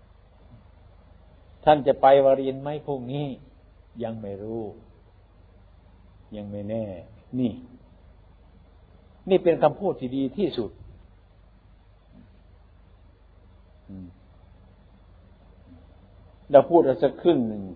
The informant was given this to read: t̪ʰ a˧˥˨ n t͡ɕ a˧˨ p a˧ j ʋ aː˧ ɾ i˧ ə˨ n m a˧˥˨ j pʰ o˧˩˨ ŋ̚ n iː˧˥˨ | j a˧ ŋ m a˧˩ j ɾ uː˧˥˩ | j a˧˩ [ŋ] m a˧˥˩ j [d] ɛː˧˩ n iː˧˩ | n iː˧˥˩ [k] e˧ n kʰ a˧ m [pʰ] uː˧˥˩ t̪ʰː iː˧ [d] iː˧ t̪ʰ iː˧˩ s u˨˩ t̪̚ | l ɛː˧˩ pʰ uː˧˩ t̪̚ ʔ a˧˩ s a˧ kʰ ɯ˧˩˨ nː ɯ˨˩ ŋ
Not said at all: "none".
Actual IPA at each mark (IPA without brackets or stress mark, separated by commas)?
ŋ, n, p, pʰ, d